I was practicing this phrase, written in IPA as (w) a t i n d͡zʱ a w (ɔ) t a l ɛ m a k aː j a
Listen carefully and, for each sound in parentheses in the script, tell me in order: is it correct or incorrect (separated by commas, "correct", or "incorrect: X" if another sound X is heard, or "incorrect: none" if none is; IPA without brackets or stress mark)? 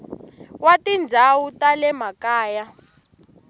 correct, incorrect: u